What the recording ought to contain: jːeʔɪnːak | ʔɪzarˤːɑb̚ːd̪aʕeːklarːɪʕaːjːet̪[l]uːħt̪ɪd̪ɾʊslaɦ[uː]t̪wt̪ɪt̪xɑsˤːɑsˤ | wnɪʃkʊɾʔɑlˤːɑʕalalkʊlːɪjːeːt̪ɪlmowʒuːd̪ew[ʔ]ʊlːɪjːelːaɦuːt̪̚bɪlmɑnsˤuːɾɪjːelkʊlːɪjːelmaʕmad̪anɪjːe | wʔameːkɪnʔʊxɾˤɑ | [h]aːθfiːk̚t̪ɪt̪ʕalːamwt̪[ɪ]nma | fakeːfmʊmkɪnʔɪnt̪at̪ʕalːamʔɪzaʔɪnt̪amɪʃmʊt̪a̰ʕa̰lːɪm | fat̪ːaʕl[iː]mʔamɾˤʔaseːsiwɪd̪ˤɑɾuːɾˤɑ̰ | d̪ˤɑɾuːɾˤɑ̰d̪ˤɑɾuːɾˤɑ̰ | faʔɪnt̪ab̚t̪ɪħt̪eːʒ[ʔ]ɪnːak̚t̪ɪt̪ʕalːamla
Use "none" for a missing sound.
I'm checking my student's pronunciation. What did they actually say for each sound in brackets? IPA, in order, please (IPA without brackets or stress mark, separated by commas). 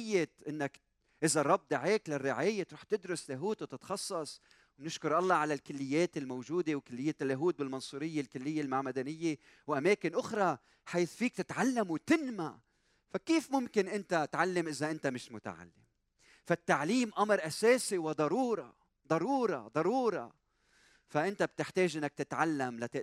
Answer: ɾ, uː, k, ħ, ɪ, iː, ʔ